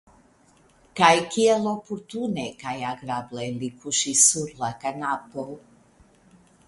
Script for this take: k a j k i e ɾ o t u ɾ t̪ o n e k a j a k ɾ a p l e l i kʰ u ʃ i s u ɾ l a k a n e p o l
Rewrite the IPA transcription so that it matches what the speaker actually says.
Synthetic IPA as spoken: k a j k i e l o p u ɾ t̪ u n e k a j a ɡ ɾ a b l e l i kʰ u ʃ i s u ɾ l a k a n a p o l